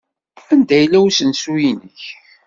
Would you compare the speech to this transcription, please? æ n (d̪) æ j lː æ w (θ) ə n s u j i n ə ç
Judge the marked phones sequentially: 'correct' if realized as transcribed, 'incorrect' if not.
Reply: correct, incorrect: s

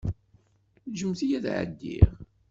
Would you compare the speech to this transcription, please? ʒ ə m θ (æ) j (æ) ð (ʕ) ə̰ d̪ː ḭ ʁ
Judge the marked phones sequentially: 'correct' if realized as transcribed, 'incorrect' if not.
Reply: incorrect: i, correct, correct

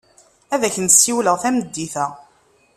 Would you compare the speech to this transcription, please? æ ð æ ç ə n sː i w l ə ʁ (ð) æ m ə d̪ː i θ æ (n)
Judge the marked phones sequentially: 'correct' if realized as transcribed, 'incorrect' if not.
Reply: incorrect: θ, incorrect: none

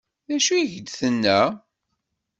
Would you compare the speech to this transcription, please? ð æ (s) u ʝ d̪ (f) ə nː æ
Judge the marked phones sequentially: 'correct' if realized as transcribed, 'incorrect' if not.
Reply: incorrect: ʃ, incorrect: θ

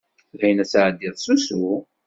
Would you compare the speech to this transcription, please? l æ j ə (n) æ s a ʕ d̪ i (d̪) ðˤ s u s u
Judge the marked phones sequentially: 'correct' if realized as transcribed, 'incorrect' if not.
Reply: correct, incorrect: none

